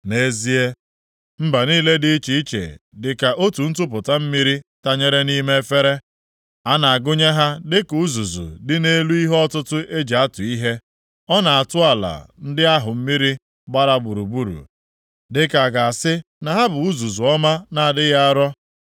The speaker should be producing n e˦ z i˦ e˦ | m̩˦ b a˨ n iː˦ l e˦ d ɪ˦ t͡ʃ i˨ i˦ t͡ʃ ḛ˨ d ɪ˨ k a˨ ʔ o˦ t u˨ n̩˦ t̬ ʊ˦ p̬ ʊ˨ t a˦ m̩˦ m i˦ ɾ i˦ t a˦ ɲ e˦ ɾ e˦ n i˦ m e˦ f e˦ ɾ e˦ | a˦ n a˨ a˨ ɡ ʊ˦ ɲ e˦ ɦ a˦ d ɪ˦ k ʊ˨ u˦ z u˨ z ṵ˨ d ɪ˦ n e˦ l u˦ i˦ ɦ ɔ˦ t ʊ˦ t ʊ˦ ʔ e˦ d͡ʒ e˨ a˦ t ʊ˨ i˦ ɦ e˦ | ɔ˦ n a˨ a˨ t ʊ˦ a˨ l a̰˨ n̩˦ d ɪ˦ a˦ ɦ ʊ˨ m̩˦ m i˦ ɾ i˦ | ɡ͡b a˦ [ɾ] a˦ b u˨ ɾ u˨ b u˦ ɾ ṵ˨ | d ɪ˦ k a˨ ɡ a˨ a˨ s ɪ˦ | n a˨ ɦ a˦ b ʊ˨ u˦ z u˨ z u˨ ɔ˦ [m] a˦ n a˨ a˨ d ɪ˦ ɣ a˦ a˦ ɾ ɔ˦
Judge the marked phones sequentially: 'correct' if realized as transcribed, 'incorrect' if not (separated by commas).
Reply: correct, correct